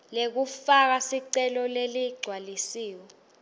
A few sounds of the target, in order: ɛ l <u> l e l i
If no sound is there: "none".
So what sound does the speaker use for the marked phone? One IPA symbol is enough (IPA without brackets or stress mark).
ɔ